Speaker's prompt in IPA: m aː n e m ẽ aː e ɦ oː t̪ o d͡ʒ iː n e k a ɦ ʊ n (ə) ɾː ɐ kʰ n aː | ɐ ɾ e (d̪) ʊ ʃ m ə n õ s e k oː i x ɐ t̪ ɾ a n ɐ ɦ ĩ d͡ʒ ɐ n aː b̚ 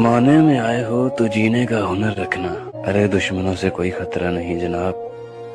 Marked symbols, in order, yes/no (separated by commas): yes, yes